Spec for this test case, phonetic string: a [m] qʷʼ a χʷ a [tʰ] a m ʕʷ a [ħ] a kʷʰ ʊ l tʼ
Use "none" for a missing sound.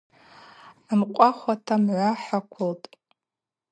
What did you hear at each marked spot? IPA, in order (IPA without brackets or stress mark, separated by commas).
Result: m, tʰ, ħ